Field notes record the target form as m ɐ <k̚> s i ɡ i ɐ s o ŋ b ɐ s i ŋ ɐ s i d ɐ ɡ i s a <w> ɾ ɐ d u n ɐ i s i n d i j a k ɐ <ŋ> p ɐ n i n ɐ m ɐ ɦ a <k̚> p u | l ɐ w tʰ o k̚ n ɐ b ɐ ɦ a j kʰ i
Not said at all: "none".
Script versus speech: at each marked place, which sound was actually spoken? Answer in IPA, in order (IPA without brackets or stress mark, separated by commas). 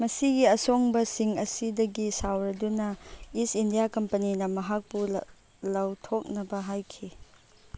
none, w, m, k̚